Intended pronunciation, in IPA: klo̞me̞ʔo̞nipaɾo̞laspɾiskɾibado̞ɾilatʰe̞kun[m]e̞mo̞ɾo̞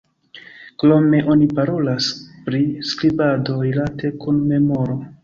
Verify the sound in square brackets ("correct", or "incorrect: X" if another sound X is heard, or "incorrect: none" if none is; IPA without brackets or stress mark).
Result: correct